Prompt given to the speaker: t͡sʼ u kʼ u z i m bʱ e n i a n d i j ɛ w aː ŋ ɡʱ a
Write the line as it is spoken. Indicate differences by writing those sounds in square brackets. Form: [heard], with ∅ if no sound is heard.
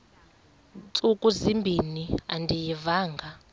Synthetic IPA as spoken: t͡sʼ u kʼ u z i m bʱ [i] n i a n d i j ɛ [v] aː ŋ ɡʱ a